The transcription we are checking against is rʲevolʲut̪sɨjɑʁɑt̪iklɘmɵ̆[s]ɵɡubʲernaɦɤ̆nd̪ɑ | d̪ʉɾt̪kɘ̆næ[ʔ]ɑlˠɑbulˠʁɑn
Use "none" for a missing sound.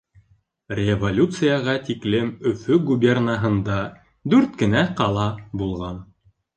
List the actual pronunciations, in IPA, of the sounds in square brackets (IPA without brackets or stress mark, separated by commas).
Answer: f, q